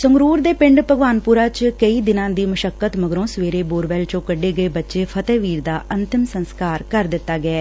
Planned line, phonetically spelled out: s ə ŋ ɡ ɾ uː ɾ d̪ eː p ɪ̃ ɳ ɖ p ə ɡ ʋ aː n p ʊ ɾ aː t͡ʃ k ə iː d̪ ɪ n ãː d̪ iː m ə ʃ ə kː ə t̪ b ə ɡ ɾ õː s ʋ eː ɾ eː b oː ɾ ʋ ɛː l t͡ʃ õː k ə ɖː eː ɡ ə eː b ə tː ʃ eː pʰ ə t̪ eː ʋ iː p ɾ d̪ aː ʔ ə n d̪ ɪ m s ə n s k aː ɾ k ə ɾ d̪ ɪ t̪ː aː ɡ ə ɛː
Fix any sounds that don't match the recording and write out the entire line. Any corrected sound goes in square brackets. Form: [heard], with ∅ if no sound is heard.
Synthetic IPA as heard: s ə ŋ ɡ ɾ uː ɾ d̪ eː p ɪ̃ ɳ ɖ p ə ɡ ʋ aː n p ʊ ɾ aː t͡ʃ k ə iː d̪ ɪ n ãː d̪ iː m ə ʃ ə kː ə t̪ [m] ə ɡ ɾ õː s ʋ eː ɾ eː b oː ɾ ʋ ɛː l t͡ʃ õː k ə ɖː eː ɡ ə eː b ə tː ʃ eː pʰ ə t̪ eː ʋ iː [∅] ɾ d̪ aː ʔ ə n [t̪] ɪ m s ə n s k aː ɾ k ə ɾ d̪ ɪ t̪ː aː ɡ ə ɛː